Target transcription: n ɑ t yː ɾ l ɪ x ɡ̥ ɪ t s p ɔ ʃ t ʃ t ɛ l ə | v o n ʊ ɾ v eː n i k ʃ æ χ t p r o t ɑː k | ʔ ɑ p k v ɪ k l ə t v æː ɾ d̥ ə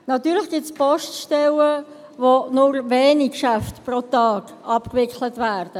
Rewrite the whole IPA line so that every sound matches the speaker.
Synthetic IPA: n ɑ t yː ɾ l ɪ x ɡ̥ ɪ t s p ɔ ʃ t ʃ t ɛ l ə | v o n ʊ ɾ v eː n i k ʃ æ f t p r o t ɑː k | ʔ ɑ p k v ɪ k l ə t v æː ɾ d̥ ə